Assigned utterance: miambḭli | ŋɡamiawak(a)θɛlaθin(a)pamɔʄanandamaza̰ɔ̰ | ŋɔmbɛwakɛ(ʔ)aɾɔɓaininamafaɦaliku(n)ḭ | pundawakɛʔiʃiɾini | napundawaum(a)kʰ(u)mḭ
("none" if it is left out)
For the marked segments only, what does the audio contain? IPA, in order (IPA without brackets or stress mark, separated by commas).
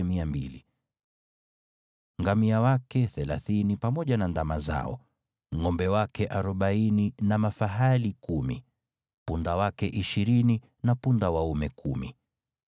ɛ, i, ʔ, m, ɛ, u